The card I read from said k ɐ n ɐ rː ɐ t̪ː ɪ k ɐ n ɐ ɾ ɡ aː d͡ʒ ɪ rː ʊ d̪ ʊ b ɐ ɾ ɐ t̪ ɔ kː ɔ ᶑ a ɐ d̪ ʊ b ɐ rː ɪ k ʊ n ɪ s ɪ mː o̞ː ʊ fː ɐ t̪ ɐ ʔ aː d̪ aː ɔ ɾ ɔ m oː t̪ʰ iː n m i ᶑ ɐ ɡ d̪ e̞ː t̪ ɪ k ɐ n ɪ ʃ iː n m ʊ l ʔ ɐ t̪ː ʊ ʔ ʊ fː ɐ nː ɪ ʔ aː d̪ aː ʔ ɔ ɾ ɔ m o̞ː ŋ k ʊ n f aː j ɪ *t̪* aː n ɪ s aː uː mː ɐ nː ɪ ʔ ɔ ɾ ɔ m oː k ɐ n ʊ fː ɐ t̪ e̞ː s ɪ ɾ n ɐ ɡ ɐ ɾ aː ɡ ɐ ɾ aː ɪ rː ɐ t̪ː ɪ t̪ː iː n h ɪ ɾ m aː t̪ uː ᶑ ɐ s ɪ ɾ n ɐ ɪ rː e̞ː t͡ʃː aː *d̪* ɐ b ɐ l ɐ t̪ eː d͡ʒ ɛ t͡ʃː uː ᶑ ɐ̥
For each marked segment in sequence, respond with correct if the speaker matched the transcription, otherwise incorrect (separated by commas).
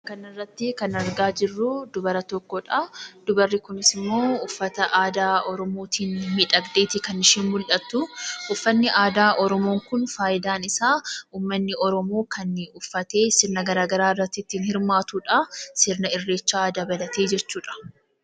incorrect, correct